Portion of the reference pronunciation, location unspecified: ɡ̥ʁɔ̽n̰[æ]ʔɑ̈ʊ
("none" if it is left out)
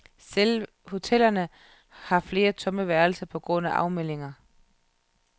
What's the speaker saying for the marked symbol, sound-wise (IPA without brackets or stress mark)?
æ